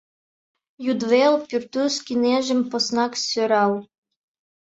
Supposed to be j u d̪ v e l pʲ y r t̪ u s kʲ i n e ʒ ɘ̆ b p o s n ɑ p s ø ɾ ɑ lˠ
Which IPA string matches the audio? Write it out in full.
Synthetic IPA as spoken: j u d̪ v e l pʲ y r t̪ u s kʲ i n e ʒ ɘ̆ m p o s n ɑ k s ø ɾ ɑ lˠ